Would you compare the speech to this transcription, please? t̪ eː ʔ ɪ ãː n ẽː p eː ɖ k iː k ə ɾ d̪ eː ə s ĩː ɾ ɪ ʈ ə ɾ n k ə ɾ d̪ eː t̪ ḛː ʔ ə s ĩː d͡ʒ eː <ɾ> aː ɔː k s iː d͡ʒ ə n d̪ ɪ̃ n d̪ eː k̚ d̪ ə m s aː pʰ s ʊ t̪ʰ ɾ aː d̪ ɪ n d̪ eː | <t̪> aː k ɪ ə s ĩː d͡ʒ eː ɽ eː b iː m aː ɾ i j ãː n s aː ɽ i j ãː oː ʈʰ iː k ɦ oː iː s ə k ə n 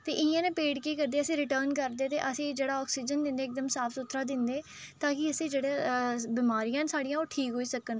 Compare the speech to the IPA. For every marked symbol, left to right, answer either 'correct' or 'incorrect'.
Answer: incorrect: ɽ, correct

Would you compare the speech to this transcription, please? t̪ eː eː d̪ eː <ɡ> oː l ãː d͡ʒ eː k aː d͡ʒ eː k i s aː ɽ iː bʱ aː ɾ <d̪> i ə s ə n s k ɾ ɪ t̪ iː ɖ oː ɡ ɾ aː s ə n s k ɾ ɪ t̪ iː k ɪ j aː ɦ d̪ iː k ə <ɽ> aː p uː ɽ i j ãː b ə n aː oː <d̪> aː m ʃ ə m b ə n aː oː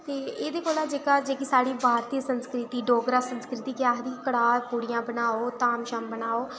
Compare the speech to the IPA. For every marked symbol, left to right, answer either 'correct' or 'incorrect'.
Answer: incorrect: k, incorrect: t̪, correct, incorrect: t̪

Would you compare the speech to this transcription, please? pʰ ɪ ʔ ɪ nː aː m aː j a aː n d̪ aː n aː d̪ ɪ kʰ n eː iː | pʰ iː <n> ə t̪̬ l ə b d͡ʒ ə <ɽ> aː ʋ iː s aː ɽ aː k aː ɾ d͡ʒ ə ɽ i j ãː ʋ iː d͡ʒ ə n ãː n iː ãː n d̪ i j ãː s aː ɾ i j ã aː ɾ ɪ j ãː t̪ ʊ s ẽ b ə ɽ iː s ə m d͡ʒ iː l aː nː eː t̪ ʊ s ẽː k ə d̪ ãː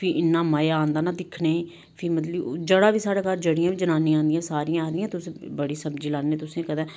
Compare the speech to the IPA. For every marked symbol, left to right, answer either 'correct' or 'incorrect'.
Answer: incorrect: m, correct

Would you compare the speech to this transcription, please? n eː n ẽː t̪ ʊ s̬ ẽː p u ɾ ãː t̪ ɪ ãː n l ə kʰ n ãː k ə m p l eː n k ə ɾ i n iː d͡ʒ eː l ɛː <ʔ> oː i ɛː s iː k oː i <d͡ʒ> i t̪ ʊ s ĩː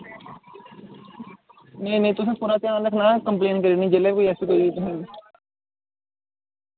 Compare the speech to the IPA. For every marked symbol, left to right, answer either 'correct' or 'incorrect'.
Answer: incorrect: k, incorrect: none

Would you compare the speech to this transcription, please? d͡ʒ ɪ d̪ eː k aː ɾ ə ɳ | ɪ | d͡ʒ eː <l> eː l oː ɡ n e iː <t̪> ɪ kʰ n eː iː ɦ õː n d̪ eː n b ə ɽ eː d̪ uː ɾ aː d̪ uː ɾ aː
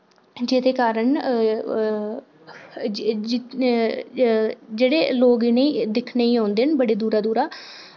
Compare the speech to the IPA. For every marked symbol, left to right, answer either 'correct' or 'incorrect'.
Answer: incorrect: ɽ, incorrect: d̪

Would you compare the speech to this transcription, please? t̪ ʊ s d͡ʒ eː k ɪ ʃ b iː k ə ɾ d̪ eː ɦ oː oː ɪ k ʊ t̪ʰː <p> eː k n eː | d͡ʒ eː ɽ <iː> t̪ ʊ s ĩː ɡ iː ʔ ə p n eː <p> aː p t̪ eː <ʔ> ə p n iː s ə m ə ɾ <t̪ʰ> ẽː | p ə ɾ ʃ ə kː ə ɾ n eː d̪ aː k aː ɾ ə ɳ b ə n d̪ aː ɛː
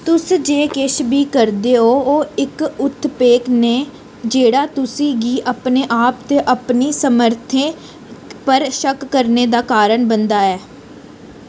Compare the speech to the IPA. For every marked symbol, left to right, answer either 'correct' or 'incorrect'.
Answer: correct, incorrect: aː, incorrect: ʔ, correct, correct

